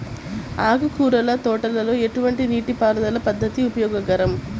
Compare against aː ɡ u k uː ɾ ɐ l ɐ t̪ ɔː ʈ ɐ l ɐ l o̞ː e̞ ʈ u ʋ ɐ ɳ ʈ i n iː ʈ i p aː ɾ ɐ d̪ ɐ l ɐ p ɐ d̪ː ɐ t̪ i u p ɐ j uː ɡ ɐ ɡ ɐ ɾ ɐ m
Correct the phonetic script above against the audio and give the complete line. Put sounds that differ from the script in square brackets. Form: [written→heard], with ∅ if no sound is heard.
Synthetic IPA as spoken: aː ɡ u k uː ɾ ɐ l ɐ t̪ ɔː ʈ ɐ l ɐ l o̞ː e̞ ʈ u ʋ ɐ ɳ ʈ i n iː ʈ i p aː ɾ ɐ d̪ ɐ l ɐ p ɐ d̪ː ɐ t̪ i u p ɐ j [uː→ɔː] ɡ ɐ ɡ ɐ ɾ ɐ m